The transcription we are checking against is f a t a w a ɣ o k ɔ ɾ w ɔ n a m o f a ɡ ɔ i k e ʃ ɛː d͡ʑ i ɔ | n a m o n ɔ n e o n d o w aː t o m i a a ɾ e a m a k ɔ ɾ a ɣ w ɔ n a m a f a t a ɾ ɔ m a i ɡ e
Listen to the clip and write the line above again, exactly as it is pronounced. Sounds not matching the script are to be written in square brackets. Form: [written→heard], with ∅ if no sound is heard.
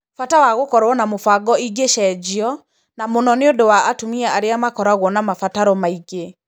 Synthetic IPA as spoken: f a t a w a ɣ o k ɔ ɾ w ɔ n a m o f a ɡ ɔ i [k→ɡ] e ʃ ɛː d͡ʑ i ɔ | n a m o n ɔ n e o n d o w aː t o m i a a ɾ e a m a k ɔ ɾ a ɣ w ɔ n a m a f a t a ɾ ɔ m a i ɡ e